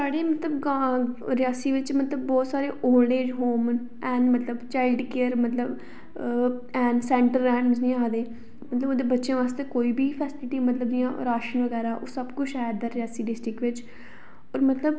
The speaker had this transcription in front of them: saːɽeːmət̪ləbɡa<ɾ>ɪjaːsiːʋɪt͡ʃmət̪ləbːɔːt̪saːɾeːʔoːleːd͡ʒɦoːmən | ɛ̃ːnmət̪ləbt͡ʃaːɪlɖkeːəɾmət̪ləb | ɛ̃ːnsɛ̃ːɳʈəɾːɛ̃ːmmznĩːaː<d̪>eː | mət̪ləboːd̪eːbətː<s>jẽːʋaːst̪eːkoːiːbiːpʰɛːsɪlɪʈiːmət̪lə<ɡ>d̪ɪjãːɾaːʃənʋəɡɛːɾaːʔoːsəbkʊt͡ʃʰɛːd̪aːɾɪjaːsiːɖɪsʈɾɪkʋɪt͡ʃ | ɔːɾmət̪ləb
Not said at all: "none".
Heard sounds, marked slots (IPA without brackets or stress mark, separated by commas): ɾ, d̪, ʃ, b